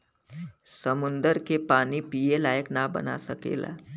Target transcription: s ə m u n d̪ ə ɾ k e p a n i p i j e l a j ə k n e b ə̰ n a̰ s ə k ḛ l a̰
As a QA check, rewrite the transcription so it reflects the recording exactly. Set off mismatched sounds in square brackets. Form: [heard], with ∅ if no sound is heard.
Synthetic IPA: s ə m u n d̪ ə ɾ k e p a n i p i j e l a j ə k n [a] b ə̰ n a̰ s ə k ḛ l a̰